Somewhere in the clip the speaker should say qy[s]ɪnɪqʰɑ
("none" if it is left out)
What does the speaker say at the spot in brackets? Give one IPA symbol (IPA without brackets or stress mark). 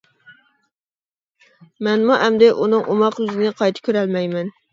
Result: z